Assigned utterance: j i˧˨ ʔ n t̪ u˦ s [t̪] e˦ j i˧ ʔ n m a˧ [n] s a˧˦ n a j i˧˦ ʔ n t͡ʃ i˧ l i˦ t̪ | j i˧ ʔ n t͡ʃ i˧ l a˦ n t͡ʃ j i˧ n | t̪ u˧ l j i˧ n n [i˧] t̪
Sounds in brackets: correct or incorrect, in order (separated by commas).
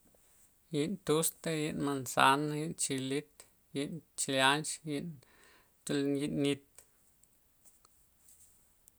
correct, correct, correct